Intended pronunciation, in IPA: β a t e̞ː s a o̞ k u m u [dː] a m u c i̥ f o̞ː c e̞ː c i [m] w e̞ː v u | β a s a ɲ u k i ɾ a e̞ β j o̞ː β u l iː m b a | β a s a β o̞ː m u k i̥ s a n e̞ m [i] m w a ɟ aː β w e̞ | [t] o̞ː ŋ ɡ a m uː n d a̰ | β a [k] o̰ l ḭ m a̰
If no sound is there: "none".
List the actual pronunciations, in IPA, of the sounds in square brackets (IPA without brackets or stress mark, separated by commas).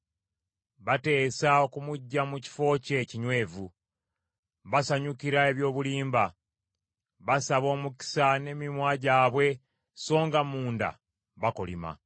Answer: ɟː, ɲ, i, s, k